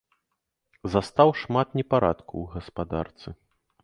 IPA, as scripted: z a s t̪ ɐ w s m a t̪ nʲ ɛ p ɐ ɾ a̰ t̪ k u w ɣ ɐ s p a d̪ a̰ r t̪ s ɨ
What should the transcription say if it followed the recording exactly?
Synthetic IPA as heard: z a s t̪ a w ʂ m a t̪ nʲ ɛ p a ɾ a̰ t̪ k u w ɣ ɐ s p a d̪ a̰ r t̪ s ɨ